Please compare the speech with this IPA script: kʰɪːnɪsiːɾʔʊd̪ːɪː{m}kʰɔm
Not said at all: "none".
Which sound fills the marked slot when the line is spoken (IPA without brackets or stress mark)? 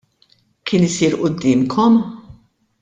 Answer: m